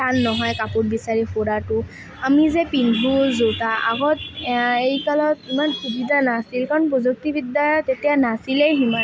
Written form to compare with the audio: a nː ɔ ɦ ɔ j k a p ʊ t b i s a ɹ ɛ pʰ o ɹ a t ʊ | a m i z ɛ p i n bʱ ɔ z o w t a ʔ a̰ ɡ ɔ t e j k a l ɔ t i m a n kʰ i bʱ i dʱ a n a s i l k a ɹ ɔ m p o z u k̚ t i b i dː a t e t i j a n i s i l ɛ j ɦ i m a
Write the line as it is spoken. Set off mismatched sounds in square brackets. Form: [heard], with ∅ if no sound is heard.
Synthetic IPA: a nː ɔ ɦ ɔ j k a p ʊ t b i s a ɹ [i] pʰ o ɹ a t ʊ | a m i z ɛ p i n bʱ [u] z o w t a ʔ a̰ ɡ ɔ t e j k a l ɔ t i m a n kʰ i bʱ i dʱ a n a s i l k a ɹ ɔ [n] p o z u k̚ t i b i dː a t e t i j a n [a] s i l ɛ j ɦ i m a